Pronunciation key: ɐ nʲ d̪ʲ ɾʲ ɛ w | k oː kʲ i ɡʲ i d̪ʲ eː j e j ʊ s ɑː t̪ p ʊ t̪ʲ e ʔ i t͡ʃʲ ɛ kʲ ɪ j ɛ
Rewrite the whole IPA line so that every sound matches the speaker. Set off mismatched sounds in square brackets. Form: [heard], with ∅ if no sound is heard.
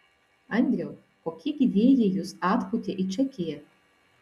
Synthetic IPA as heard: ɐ nʲ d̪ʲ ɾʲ ɛ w | k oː kʲ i ɡʲ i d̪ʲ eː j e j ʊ s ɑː t̪ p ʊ t̪ʲ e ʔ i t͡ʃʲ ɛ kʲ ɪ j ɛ